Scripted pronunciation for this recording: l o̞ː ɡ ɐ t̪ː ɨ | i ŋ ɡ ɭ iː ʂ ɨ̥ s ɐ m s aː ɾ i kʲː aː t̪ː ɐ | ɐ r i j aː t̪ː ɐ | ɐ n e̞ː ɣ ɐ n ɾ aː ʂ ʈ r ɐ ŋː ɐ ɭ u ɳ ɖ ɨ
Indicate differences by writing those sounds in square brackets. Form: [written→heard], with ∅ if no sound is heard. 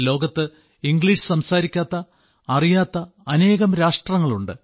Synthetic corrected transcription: l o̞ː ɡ ɐ t̪ː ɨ | i ŋ ɡ ɭ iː ʂ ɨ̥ s ɐ m s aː ɾ i kʲː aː t̪ː ɐ | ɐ r i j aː t̪ː ɐ | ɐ n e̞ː ɣ ɐ [n→m] ɾ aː ʂ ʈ r ɐ ŋː ɐ ɭ u ɳ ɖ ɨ